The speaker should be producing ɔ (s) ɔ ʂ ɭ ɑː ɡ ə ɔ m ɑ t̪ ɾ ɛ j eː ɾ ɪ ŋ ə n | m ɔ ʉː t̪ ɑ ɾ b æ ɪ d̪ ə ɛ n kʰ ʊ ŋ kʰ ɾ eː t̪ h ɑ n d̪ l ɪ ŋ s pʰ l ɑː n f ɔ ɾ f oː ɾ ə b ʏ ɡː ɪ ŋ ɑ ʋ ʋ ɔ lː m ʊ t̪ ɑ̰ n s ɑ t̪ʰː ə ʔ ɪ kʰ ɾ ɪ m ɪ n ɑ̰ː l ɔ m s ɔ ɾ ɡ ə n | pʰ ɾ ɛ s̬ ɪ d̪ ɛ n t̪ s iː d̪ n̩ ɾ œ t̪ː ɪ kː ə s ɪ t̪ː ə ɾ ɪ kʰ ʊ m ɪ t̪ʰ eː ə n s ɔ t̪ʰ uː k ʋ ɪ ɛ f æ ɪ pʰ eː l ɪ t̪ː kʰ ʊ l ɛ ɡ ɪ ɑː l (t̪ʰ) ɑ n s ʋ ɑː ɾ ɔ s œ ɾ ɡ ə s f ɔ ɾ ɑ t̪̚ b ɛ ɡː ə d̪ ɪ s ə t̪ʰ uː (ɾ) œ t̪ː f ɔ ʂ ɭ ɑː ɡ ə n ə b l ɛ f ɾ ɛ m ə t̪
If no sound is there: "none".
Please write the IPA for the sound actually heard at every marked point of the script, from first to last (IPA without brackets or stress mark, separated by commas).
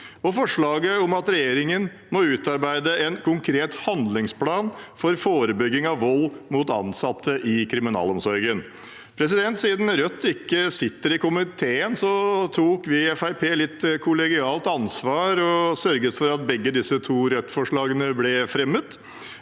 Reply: f, t̪, ɾ